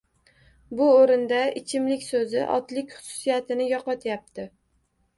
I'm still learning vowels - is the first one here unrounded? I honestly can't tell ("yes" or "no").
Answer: no